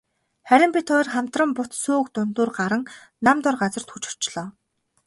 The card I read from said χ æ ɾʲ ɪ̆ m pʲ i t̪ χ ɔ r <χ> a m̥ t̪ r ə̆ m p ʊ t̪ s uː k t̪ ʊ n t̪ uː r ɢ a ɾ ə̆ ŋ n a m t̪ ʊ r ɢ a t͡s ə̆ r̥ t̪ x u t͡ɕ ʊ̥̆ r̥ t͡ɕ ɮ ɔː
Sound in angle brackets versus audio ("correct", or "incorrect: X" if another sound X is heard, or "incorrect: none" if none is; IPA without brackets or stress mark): correct